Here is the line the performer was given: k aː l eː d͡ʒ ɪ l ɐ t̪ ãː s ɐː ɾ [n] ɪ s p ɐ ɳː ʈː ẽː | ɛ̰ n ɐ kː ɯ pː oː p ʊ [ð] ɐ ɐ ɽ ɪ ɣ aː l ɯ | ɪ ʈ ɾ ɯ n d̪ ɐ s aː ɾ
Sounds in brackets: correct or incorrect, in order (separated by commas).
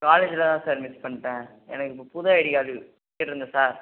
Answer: incorrect, correct